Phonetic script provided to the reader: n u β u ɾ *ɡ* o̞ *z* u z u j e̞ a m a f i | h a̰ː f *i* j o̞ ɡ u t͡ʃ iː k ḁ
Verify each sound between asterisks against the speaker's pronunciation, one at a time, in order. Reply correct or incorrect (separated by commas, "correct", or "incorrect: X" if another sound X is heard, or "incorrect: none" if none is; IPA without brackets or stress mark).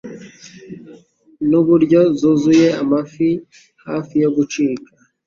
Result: incorrect: ɟ, correct, correct